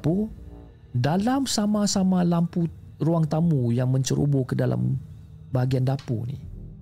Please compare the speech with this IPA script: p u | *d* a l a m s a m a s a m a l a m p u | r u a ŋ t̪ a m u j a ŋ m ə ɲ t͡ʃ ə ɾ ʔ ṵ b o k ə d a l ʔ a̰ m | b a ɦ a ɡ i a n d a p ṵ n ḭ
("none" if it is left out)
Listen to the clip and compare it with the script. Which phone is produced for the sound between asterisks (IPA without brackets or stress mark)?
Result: d